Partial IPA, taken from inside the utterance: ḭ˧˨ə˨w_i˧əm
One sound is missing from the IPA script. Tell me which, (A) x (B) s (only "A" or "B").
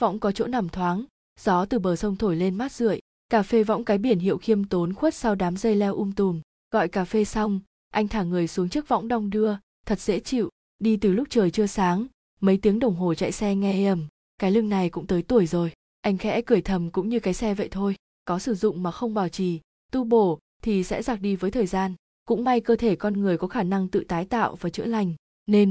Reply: A